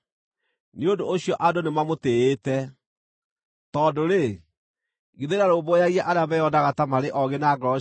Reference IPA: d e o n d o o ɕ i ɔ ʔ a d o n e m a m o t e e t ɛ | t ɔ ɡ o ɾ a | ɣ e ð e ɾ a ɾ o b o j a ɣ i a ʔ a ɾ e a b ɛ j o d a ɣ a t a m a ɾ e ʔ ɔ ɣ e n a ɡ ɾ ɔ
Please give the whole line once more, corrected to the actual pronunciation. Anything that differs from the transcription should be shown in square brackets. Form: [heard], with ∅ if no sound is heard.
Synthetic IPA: [n] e o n d o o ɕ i ɔ ʔ a d o n e m a m o t e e t ɛ | t ɔ [d] o ɾ [e] | ɣ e ð e ɾ a ɾ o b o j a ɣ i a ʔ a ɾ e a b ɛ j [ɔ] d a ɣ a t a m a ɾ e ʔ ɔ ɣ e n a ɡ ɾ ɔ